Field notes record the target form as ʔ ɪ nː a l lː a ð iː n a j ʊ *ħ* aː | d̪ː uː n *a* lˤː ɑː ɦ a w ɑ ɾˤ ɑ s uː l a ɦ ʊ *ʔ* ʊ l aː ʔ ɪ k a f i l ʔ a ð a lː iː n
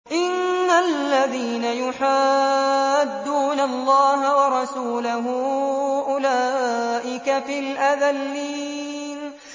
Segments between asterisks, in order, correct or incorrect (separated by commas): correct, correct, correct